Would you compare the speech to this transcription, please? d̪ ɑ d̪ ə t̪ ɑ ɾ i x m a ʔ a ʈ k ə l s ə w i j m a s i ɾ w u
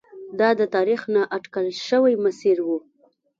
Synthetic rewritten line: d̪ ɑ d̪ ə t̪ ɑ ɾ i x n a ʔ a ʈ k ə l ʃ ə w a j m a s i ɾ w u